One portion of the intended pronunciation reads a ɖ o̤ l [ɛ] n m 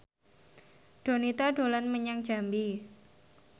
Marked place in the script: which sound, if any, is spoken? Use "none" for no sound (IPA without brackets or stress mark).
a